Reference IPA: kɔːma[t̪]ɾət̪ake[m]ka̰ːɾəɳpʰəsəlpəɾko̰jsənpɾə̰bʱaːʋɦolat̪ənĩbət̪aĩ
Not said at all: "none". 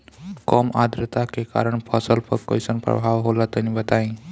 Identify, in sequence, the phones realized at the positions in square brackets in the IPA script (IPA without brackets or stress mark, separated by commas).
d̪, none